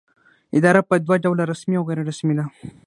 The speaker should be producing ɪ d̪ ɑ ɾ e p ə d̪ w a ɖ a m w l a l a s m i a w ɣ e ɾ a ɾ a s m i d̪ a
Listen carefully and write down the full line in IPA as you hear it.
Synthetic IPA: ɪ d̪ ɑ ɾ a p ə d̪ w a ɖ a w l a ɾ a s m i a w ɣ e ɾ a ɾ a s m i d̪ a